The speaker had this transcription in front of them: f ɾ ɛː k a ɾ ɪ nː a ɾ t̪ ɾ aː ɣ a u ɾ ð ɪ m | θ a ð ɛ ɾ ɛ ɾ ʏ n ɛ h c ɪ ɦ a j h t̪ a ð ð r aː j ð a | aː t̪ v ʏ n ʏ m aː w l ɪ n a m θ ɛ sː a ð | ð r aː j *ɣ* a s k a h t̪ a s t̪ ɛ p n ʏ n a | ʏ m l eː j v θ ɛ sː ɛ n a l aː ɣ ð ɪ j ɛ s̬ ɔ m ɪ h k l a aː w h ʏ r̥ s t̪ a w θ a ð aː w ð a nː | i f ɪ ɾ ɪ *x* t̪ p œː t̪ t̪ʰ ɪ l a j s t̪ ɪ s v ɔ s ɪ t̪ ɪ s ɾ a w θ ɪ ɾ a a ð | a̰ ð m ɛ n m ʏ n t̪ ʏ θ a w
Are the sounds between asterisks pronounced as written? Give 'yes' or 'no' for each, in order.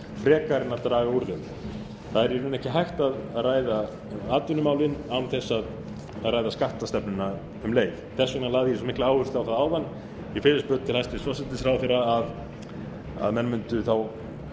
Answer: no, no

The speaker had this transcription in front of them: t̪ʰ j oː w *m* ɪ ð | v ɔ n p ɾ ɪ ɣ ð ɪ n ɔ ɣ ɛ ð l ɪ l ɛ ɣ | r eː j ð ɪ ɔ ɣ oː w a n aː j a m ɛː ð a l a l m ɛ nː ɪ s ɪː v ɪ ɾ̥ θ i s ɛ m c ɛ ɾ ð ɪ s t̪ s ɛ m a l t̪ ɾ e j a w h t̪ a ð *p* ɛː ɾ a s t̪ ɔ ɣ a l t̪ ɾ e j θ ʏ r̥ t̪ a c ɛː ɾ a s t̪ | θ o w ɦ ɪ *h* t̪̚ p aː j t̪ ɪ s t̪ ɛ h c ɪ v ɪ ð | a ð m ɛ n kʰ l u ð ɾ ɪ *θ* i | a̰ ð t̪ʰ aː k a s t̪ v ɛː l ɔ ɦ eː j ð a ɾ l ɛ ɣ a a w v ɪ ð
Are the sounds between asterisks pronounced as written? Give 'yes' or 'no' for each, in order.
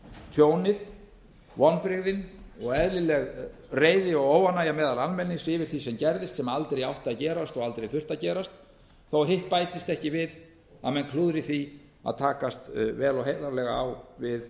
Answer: no, no, yes, yes

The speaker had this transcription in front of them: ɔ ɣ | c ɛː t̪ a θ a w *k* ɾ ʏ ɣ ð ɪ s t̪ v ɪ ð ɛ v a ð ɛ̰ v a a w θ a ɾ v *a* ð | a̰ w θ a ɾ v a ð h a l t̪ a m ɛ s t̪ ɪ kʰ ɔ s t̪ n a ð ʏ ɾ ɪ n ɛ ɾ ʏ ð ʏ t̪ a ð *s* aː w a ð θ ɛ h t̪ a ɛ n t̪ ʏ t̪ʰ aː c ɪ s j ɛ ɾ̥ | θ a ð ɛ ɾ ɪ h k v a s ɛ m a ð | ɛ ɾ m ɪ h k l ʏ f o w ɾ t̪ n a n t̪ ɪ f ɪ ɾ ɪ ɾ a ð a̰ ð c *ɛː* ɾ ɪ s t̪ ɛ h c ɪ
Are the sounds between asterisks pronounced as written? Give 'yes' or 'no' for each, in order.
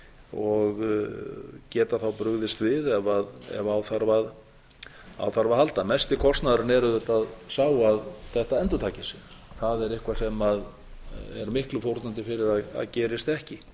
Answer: no, yes, yes, yes

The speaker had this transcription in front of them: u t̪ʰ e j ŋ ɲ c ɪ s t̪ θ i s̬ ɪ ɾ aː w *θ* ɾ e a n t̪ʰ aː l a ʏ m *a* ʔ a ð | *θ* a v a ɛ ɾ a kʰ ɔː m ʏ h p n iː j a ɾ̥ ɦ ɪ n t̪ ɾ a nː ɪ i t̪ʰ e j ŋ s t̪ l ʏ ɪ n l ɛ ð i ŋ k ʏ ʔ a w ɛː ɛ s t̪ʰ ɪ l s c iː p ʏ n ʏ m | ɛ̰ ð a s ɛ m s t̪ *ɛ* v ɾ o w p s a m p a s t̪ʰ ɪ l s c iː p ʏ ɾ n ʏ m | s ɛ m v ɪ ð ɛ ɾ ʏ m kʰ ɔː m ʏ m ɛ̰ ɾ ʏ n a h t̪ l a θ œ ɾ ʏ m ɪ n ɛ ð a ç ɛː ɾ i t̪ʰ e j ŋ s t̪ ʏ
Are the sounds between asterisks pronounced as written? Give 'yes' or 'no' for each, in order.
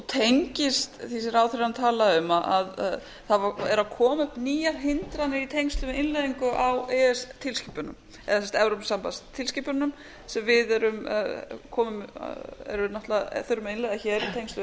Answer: yes, yes, yes, yes

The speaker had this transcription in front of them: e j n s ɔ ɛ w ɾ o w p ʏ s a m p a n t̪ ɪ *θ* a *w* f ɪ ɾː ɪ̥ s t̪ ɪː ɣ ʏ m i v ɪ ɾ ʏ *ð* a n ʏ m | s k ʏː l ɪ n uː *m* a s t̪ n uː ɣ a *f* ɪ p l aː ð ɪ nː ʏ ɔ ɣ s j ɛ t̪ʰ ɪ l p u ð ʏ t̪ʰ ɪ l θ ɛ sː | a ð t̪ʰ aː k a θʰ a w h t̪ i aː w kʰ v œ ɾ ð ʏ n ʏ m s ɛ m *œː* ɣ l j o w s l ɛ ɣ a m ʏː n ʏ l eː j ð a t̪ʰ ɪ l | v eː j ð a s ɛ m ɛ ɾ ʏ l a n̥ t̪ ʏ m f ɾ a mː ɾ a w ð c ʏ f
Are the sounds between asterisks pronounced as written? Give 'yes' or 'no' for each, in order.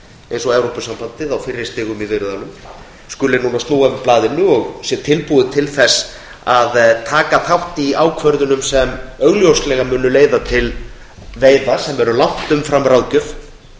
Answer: no, yes, yes, no, no, no

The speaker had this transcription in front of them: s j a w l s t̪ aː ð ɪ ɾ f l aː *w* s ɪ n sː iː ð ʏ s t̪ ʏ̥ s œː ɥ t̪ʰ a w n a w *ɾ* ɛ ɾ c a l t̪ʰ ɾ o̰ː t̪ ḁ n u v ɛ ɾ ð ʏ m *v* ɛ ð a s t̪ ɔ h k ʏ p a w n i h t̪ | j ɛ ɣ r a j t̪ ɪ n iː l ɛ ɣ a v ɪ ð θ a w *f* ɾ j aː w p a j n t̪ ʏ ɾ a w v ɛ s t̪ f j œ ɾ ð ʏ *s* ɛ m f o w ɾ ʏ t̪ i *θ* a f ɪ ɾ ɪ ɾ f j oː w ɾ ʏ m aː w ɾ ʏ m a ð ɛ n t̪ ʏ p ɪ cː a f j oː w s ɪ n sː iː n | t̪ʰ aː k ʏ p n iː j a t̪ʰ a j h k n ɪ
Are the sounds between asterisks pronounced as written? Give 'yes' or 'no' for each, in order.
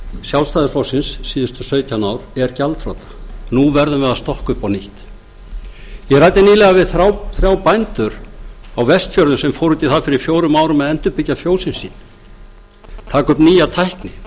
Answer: yes, yes, yes, no, yes, yes

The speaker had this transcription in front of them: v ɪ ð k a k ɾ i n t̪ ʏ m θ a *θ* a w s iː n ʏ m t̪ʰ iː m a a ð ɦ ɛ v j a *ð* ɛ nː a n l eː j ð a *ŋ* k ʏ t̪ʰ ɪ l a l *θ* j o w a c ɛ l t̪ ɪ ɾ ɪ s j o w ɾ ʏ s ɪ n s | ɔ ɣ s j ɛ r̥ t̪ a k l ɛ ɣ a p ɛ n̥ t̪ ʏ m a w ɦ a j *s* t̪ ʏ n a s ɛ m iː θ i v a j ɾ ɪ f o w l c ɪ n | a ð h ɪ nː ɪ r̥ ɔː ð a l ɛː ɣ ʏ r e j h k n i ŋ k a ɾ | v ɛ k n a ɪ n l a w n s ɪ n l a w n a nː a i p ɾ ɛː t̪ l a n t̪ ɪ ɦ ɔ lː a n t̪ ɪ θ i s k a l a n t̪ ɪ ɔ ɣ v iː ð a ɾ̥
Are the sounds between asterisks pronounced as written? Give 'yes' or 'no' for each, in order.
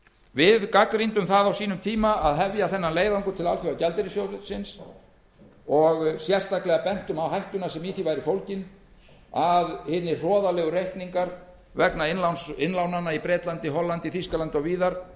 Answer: no, no, yes, no, no

